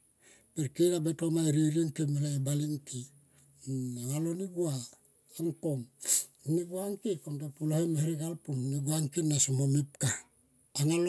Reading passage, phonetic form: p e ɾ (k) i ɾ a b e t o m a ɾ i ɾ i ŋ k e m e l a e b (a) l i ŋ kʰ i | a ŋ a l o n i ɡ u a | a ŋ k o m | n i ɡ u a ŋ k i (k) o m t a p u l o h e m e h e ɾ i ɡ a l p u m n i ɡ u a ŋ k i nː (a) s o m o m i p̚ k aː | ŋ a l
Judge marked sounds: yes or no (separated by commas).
yes, yes, yes, yes